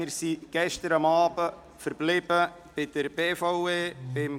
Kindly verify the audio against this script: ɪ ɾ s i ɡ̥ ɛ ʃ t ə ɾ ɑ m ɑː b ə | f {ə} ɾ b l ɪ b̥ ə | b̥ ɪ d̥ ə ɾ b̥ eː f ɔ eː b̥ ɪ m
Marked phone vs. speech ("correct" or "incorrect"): correct